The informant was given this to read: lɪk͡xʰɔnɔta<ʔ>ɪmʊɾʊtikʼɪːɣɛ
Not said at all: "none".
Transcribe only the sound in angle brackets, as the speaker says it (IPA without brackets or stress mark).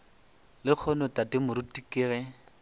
t